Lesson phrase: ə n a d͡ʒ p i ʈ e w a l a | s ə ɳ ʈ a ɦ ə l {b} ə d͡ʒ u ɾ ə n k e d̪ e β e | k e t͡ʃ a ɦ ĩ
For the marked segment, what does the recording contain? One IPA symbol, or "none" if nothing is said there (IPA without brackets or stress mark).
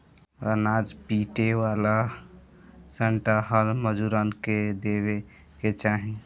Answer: m